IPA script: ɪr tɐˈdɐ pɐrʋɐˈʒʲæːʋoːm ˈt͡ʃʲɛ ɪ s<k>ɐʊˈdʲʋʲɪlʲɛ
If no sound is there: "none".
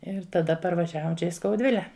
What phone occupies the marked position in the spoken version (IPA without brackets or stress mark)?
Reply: k